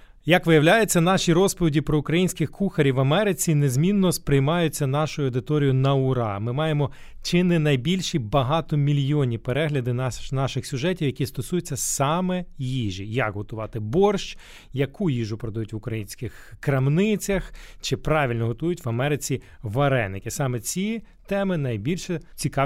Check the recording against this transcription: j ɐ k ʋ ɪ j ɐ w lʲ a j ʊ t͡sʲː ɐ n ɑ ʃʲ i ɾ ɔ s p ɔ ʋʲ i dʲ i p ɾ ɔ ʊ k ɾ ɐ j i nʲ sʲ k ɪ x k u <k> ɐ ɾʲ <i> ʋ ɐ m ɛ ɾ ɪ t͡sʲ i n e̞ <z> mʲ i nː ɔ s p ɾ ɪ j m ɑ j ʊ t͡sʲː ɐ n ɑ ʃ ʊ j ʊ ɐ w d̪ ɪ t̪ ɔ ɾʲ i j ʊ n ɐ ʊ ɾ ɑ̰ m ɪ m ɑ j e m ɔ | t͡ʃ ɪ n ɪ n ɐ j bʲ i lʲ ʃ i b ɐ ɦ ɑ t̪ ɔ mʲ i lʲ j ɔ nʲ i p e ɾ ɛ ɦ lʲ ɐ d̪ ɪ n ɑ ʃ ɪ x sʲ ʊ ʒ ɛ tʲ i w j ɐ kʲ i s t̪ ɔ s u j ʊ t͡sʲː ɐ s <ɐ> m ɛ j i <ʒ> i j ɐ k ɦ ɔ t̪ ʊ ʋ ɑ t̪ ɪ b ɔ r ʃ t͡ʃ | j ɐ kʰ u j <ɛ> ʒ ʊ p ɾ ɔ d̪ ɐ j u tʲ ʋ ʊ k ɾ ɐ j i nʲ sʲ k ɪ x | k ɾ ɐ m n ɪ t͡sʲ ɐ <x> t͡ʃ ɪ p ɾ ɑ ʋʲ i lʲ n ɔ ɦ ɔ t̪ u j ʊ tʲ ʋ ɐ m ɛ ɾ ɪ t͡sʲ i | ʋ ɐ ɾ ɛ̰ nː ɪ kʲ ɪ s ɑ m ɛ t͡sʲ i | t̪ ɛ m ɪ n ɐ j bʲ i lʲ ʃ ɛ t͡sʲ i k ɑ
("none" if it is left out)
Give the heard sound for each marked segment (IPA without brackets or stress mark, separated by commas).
x, i, z, ɑ, ʒ, i, x